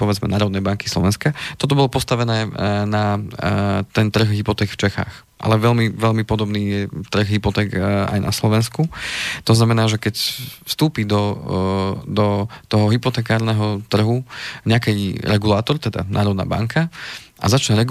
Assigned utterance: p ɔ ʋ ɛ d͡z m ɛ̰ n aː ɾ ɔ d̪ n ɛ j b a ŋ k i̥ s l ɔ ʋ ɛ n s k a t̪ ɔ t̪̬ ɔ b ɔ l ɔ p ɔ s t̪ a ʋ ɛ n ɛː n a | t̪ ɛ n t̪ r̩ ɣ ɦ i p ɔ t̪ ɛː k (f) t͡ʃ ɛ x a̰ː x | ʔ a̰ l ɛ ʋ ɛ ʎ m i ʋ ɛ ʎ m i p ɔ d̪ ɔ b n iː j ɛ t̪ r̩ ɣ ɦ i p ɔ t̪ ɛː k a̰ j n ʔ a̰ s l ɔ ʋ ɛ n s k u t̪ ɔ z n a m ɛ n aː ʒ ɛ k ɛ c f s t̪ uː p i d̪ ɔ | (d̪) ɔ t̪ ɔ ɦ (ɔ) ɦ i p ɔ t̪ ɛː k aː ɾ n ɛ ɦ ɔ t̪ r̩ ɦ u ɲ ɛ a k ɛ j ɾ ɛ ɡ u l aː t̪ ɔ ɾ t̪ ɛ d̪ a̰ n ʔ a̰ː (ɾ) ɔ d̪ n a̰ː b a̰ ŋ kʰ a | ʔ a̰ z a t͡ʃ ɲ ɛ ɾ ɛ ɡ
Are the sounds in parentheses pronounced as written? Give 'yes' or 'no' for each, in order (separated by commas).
yes, yes, yes, yes